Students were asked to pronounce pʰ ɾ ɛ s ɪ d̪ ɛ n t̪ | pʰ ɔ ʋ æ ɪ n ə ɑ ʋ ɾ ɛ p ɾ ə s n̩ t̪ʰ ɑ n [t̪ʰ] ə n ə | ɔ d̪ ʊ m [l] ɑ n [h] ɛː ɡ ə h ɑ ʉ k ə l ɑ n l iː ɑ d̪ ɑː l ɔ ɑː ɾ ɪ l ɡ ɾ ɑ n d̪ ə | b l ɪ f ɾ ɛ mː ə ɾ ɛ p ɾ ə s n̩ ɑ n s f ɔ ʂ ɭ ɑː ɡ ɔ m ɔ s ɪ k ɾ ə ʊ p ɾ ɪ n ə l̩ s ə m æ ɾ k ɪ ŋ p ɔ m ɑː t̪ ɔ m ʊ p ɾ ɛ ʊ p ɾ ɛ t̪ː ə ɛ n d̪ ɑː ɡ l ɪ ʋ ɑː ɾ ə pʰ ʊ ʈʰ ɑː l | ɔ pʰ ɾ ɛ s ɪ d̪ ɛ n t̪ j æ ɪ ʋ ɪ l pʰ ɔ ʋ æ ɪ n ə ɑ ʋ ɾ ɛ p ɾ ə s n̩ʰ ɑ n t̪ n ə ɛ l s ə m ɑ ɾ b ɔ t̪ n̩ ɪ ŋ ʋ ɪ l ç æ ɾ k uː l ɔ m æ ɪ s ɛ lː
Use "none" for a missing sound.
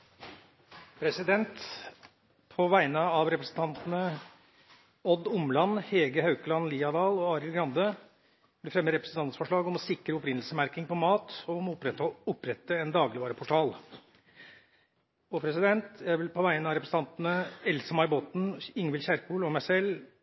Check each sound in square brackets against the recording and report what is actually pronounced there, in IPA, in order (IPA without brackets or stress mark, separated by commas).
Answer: t̪, l, h